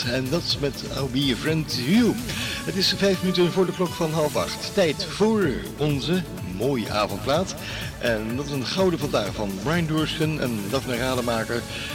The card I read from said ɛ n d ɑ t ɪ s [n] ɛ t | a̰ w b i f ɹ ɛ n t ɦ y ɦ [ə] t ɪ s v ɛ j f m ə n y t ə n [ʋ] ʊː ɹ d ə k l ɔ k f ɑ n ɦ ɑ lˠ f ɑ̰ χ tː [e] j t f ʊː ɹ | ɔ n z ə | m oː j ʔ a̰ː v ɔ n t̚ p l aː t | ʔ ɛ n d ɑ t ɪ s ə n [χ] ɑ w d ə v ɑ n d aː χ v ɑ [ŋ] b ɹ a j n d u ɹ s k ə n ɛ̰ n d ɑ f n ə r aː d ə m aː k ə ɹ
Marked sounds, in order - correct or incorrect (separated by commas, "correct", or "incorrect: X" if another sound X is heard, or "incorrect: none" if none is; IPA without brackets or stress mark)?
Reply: incorrect: m, correct, incorrect: v, incorrect: ɛ, correct, incorrect: n